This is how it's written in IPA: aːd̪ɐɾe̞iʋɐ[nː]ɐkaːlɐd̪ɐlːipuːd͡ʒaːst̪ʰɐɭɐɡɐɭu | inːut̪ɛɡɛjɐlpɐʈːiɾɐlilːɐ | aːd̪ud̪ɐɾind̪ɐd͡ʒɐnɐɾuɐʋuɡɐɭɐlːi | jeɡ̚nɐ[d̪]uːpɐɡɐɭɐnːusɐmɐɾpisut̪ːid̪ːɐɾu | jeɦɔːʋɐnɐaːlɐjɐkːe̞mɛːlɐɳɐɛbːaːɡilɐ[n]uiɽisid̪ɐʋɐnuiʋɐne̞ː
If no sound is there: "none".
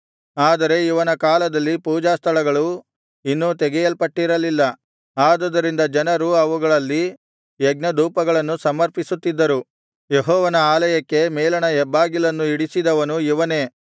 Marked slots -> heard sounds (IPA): n, d̪, nː

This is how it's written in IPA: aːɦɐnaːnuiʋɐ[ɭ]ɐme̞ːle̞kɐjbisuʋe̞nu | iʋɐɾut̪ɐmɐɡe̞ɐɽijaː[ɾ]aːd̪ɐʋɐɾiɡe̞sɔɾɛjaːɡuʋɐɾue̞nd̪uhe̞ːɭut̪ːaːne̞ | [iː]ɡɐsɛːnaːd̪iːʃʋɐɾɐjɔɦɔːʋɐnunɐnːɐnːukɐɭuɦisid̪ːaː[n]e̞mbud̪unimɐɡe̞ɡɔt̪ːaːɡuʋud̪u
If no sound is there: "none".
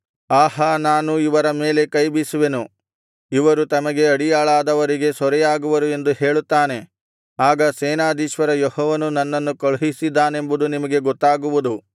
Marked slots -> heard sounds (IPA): ɾ, ɭ, aː, n

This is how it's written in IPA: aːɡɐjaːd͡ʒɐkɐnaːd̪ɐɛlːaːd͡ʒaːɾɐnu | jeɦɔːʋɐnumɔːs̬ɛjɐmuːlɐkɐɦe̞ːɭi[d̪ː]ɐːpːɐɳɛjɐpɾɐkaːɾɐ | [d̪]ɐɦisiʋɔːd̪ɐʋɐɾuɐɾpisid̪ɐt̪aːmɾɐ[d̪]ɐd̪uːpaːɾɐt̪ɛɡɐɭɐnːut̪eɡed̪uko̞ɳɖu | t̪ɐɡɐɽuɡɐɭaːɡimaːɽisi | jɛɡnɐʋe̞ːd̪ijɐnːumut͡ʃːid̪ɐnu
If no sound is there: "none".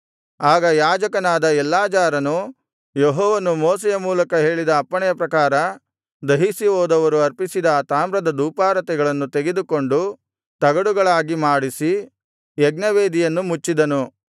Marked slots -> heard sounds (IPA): d̪, d̪, d̪

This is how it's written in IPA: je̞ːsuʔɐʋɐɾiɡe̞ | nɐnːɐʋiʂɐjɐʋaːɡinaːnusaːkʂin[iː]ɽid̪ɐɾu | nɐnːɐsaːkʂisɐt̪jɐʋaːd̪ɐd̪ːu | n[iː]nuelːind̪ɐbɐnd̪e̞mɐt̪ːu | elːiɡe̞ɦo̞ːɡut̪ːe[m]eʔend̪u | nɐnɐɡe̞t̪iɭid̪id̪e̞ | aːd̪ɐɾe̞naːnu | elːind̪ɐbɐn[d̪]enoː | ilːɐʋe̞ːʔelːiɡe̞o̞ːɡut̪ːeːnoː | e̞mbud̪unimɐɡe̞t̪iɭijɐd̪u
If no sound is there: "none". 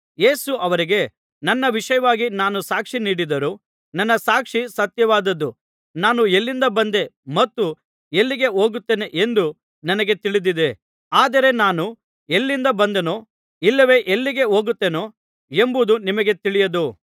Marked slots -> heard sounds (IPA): iː, aː, n, d̪

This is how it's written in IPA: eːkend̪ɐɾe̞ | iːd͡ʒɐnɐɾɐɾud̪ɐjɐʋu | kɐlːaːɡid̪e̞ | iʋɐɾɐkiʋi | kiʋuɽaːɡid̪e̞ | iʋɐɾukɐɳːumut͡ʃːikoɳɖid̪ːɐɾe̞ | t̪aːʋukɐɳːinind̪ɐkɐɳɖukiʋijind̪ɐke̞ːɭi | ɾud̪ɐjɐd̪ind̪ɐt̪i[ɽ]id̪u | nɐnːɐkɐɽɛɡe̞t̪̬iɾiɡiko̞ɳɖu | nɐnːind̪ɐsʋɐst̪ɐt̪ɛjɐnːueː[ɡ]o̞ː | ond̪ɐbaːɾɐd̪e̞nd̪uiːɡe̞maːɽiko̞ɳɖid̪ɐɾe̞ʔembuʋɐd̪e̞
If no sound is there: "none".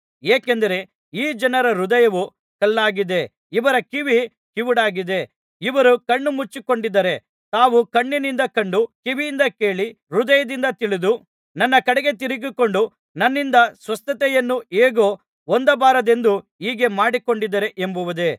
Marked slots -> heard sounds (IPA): ɭ, ɡ

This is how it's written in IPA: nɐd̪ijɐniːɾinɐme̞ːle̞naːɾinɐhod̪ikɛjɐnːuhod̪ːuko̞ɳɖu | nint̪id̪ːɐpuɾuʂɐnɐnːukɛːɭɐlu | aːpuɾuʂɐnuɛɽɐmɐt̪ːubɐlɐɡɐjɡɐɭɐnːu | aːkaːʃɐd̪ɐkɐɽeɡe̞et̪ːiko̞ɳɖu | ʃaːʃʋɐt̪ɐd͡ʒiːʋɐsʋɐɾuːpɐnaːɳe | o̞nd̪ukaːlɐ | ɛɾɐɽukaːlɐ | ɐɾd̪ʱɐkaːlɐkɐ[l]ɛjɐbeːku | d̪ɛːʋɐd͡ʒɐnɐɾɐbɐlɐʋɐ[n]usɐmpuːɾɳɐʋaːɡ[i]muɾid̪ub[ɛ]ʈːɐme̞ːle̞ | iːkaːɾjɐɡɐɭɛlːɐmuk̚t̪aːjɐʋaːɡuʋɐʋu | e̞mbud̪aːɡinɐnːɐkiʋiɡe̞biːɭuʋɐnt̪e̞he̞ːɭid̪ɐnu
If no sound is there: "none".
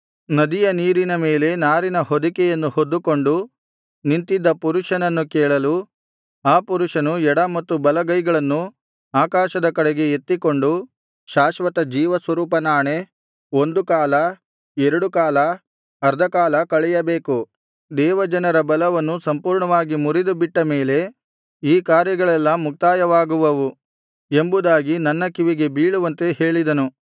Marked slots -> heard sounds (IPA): ɭ, nː, i, i

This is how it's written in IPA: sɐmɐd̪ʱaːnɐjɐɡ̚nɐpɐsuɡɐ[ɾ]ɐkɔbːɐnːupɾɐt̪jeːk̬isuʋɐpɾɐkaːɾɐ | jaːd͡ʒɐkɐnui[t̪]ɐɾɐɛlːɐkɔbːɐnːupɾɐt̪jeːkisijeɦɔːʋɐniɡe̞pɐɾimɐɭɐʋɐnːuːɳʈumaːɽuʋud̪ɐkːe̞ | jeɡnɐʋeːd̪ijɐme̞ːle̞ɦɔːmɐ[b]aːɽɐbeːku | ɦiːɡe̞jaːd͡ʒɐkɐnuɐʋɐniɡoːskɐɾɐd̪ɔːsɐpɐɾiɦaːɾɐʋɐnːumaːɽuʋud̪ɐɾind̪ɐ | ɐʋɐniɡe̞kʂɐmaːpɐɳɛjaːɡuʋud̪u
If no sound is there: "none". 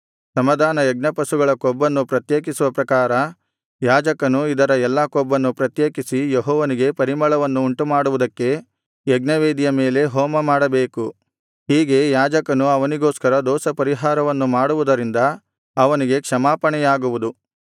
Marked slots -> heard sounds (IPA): ɭ, d̪, m

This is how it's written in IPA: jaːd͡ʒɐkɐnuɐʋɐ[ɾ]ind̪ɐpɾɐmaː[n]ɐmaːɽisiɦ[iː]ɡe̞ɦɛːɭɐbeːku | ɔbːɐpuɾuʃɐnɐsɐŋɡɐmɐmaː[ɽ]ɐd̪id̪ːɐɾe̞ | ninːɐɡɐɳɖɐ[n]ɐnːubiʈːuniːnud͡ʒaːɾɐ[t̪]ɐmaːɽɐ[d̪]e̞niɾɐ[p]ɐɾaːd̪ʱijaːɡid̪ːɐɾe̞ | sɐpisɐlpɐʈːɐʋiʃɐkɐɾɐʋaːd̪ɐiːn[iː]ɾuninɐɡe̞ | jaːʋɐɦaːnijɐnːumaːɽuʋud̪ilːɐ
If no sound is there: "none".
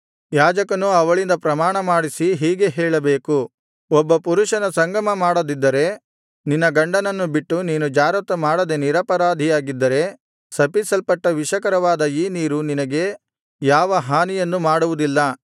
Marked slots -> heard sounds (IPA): ɭ, ɳ, iː, ɽ, n, t̪, d̪, p, iː

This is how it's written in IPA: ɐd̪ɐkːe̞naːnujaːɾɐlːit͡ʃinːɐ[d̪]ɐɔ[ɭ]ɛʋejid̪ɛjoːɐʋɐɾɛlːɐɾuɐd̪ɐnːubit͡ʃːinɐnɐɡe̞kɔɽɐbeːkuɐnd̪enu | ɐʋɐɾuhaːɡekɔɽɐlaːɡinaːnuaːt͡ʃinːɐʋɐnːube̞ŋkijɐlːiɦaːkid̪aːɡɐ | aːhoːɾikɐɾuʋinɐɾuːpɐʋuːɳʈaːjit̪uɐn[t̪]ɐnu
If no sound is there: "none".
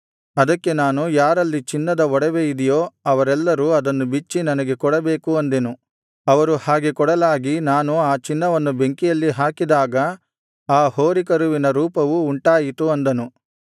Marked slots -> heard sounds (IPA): d̪, ɽ, d̪

